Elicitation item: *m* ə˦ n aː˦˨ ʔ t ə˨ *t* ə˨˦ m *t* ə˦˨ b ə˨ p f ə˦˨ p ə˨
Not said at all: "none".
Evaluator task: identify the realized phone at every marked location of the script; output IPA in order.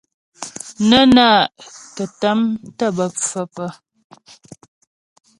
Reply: n, t, t

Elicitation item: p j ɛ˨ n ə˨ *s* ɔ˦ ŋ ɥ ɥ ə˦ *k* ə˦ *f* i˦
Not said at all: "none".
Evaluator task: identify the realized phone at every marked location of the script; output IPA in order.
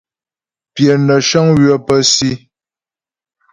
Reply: ʃ, p, s

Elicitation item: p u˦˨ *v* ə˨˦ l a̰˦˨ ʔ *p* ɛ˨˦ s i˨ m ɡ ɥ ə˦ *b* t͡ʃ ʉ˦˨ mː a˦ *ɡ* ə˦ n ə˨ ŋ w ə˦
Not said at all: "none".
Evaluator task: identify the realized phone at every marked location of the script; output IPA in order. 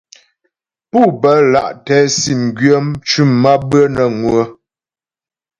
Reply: b, t, m, b

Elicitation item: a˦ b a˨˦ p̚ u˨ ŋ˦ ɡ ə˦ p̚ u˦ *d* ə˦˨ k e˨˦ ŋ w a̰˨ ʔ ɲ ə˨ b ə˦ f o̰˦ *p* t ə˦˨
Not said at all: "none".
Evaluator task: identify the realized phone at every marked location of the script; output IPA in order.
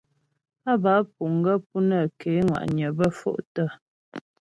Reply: n, ʔ

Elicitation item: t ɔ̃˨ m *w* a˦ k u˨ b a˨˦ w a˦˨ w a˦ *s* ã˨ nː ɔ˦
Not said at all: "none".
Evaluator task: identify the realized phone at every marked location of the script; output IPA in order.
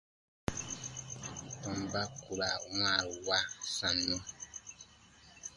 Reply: b, s

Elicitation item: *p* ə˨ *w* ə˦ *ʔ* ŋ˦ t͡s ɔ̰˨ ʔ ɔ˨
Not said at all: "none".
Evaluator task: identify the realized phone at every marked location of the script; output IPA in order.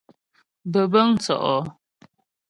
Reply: b, b, none

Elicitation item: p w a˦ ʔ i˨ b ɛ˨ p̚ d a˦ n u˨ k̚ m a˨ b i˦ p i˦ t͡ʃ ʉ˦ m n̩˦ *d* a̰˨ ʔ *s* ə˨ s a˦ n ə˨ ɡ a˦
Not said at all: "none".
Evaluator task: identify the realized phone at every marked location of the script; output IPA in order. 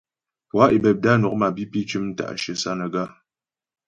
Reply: t, ʃ

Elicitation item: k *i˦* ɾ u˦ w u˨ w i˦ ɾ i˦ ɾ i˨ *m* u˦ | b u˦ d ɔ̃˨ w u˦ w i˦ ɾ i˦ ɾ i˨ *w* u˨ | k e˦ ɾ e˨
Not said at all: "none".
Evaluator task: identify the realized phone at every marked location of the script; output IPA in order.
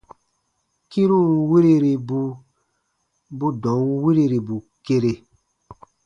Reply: i˦, b, b

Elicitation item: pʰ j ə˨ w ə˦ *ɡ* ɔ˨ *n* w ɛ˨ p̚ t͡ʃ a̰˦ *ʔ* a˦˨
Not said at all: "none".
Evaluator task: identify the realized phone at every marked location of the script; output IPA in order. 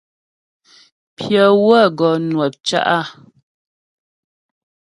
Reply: ɡ, n, ʔ

